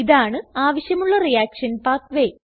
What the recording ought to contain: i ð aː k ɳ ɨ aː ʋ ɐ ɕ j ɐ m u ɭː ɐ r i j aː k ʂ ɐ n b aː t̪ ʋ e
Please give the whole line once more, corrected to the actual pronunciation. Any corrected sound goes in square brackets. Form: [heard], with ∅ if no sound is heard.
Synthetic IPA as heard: i ð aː [∅] ɳ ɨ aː ʋ ɐ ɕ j ɐ m u ɭː ɐ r i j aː k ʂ ɐ n [p] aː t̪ ʋ e